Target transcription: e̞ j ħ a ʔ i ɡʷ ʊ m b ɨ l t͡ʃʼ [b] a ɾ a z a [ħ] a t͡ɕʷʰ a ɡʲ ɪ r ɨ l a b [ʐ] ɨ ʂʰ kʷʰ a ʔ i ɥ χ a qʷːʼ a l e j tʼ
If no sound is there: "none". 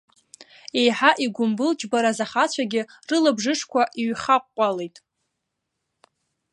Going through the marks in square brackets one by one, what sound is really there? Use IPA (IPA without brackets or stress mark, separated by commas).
b, χ, ʐ